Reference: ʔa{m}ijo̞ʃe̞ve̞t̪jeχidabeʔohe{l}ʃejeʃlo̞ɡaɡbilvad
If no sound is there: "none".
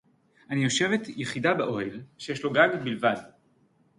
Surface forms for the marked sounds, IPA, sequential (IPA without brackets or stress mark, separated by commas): n, l